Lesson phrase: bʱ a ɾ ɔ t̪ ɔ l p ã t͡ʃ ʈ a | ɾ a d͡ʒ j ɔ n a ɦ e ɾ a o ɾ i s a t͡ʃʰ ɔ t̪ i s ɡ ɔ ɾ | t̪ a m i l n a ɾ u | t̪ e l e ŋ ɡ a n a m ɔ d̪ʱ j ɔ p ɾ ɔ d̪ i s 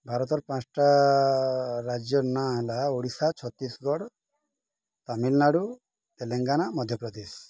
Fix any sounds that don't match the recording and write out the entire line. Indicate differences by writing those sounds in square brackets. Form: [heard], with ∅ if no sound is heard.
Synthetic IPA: bʱ a ɾ ɔ t̪ ɔ [ɾ] p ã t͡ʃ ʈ a | ɾ a d͡ʒ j ɔ n a ɦ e [l] a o [ɽ] i s a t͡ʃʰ ɔ t̪ i s ɡ ɔ [ɽ] | t̪ a m i l n a [ɽ] u | t̪ e l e ŋ ɡ a n a m ɔ d̪ʱ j ɔ p ɾ ɔ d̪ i s

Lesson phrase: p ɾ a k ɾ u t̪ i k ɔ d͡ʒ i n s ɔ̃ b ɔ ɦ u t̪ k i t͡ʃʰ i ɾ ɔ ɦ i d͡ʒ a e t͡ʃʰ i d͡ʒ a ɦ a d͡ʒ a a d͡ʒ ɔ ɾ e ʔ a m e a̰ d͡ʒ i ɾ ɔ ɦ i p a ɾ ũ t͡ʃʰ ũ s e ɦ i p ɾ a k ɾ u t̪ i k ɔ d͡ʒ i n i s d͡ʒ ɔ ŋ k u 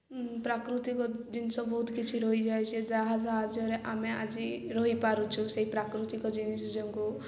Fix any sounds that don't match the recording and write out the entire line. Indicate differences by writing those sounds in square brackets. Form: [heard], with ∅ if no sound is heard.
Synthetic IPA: p ɾ a k ɾ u t̪ i k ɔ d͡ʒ i n s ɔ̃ b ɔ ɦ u t̪ k i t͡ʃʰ i ɾ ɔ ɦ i d͡ʒ a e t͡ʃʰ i d͡ʒ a ɦ a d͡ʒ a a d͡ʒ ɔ ɾ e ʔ a m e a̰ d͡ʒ i ɾ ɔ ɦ i p a ɾ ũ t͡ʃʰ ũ s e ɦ i p ɾ a k ɾ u t̪ i k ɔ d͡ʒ i n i s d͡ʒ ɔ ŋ k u

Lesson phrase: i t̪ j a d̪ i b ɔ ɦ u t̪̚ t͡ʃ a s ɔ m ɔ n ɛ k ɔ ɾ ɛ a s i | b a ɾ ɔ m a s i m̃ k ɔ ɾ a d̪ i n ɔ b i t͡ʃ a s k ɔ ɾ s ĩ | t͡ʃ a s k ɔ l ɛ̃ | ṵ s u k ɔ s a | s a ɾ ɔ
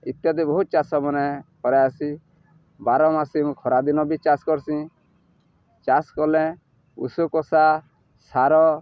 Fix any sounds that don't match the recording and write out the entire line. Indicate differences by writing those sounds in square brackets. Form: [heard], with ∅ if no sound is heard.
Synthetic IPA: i t̪ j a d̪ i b ɔ ɦ u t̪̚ t͡ʃ a s ɔ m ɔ n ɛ k ɔ ɾ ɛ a s i | b a ɾ ɔ m a s i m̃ [kʰ] ɔ ɾ a d̪ i n ɔ b i t͡ʃ a s k ɔ ɾ s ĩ | t͡ʃ a s k ɔ l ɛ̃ | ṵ s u k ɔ s a | s a ɾ ɔ

